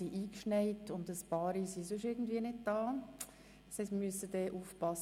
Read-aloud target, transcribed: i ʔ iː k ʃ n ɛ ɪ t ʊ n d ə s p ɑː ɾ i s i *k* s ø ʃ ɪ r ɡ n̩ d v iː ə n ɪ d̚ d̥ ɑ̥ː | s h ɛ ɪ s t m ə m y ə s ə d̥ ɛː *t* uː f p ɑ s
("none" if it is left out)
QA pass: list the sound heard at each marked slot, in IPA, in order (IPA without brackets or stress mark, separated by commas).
none, ʔ